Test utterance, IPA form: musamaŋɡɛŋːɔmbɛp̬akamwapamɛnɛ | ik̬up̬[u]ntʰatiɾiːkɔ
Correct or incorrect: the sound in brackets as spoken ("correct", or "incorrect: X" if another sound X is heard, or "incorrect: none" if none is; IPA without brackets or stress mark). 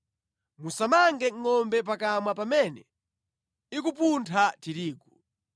correct